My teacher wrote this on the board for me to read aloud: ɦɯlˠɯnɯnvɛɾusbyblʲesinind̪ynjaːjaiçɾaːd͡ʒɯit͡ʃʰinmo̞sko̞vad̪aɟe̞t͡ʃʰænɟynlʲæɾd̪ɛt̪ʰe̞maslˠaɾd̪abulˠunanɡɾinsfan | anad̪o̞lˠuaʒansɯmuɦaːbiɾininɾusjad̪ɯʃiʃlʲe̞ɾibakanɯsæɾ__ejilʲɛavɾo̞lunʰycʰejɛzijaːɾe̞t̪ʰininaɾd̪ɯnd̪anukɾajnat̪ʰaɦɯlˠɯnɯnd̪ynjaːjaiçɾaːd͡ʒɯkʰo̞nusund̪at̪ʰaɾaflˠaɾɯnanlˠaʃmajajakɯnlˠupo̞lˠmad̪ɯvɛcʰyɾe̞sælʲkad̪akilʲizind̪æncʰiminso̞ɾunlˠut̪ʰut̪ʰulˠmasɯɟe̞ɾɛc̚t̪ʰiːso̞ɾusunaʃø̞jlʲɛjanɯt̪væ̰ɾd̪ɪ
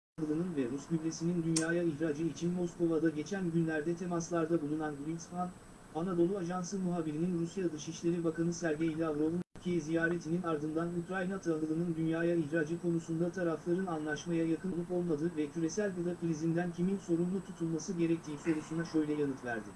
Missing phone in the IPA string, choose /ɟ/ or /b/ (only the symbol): ɟ